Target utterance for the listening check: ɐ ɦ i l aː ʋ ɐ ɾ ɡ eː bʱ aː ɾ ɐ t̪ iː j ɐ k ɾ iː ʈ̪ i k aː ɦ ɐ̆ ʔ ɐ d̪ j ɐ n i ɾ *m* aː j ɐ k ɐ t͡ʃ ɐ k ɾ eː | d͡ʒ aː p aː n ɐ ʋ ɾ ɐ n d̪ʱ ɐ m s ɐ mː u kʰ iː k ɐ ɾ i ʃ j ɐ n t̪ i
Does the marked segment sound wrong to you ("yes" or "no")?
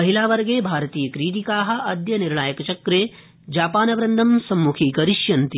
yes